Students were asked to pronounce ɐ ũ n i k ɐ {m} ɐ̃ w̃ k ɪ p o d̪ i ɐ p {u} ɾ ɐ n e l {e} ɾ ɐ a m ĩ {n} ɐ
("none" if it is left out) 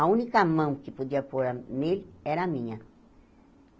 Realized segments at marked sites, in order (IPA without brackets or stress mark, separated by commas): m, o, ɛ, ɲ